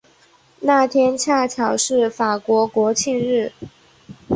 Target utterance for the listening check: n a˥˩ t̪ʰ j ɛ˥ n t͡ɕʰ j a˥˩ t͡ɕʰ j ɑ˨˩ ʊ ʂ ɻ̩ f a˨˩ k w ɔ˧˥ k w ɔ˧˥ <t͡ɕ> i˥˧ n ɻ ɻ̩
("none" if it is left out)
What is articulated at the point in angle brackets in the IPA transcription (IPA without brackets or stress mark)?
t͡ɕʰ